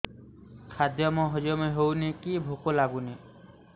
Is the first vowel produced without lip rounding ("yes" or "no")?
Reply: yes